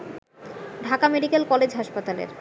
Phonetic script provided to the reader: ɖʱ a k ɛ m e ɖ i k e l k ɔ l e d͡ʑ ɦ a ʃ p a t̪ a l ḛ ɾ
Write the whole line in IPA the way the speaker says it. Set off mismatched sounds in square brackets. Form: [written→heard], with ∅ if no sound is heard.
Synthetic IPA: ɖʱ a k [ɛ→a] m e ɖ i k e l k ɔ l e d͡ʑ ɦ a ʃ p a t̪ a l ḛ ɾ